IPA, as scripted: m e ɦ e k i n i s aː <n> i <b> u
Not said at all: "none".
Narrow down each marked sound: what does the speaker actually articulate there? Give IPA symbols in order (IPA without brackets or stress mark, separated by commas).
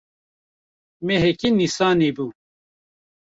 n, b